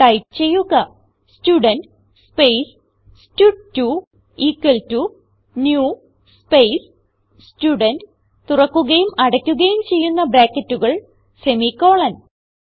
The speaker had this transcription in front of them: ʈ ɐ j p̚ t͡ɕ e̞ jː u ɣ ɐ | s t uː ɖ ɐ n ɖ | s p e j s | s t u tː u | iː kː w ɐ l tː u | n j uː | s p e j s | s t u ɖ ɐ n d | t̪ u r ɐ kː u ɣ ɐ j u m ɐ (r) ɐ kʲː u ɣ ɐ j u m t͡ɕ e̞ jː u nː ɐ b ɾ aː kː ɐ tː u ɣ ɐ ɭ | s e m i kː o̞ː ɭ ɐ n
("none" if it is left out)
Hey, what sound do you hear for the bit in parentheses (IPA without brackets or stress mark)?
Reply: ɽ